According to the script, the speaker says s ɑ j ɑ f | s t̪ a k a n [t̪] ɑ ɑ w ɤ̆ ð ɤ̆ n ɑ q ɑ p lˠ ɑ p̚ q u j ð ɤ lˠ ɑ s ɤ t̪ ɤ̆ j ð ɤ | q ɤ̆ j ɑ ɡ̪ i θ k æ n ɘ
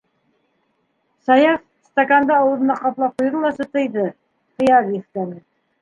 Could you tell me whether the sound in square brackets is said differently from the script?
yes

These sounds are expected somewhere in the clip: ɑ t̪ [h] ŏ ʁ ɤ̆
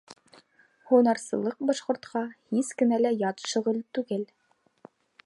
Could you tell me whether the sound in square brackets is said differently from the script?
yes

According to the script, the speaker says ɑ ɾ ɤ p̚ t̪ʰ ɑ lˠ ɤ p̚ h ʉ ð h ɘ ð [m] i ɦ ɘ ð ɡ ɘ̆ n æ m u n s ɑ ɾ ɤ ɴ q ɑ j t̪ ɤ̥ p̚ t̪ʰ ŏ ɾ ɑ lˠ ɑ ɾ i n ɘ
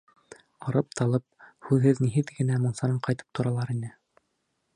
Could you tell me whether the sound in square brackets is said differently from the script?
yes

